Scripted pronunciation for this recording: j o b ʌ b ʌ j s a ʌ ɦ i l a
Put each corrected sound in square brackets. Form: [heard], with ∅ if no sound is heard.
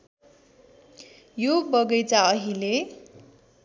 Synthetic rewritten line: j o b ʌ [ɡ] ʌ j [t͡s] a ʌ ɦ i l [e]

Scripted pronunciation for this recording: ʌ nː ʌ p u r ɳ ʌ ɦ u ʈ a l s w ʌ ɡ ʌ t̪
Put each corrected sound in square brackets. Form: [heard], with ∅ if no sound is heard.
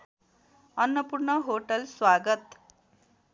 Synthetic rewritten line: ʌ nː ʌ p u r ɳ ʌ ɦ [o] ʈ [ʌ] l s w [a] ɡ ʌ t̪

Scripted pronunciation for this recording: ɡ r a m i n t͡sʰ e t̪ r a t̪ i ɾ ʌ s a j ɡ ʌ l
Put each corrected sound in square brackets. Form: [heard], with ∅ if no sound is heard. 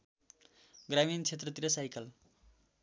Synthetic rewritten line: ɡ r a m i n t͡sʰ e t̪ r [ʌ] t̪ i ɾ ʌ s a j [k] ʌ l

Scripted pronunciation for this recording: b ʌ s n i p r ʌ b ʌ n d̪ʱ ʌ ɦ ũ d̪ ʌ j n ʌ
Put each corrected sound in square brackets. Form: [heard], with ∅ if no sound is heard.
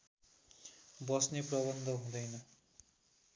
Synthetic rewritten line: b ʌ s n [e] p r ʌ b ʌ n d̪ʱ ʌ ɦ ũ d̪ ʌ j n ʌ

